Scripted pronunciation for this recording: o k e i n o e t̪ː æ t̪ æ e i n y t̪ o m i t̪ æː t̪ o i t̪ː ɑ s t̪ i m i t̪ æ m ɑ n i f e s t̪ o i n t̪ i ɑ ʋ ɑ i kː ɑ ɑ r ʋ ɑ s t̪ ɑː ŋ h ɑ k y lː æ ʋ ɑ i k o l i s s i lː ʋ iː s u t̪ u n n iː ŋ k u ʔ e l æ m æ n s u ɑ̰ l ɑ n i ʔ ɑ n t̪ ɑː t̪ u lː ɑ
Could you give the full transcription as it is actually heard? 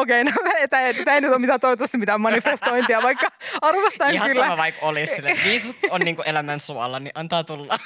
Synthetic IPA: o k e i n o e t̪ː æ t̪ æ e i n y t̪ o m i t̪ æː t̪ o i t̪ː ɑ s t̪ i m i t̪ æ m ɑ n i f e s t̪ o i n t̪ i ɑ ʋ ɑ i kː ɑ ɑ r ʋ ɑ s t̪ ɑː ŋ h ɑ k y lː æ ʋ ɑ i k o l i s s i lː ʋ iː s u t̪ o n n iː ŋ k u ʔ e l æ m æ n s u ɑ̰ l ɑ n i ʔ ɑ n t̪ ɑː t̪ u lː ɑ